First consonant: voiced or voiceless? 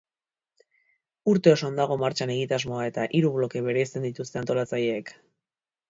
voiced